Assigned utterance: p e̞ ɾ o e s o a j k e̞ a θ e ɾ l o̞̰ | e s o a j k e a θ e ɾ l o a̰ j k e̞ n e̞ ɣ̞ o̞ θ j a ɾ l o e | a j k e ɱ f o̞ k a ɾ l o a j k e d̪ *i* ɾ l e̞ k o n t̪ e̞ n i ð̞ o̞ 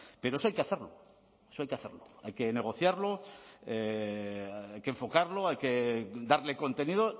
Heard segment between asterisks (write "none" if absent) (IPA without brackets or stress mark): a